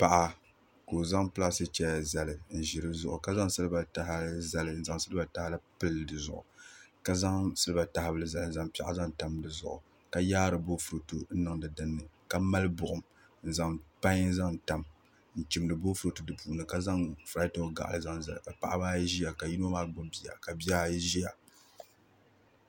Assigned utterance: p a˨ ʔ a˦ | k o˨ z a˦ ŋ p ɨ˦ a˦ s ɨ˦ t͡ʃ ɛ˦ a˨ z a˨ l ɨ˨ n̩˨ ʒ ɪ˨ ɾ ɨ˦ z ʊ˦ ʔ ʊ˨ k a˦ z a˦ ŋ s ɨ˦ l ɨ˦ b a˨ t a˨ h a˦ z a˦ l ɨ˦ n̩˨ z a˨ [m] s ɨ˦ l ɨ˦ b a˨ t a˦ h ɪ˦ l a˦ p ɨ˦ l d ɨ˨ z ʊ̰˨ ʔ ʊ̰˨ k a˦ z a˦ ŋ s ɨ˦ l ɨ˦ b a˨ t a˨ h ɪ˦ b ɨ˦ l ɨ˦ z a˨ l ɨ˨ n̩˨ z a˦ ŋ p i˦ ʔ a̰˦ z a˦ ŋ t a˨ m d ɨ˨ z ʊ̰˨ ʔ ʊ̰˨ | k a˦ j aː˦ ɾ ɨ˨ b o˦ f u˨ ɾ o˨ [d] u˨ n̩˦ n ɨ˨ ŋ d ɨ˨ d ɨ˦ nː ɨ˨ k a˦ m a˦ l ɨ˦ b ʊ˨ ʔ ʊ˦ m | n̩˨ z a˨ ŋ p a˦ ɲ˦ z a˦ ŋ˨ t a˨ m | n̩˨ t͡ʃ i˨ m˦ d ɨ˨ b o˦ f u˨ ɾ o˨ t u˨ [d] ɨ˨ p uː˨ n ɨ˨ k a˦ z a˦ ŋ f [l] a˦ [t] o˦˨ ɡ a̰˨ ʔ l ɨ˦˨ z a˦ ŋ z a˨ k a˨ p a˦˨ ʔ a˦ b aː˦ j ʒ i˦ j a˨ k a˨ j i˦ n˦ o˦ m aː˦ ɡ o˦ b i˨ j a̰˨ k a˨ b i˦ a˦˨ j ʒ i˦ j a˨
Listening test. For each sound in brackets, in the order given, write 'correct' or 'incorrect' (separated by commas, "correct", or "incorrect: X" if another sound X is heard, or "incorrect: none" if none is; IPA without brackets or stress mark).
incorrect: ŋ, incorrect: t, correct, incorrect: ɾ, correct